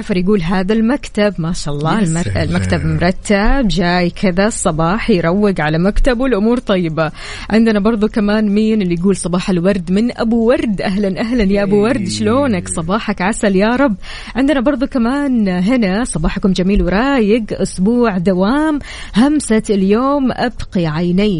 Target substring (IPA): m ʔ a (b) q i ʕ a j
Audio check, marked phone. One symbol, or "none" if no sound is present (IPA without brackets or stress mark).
b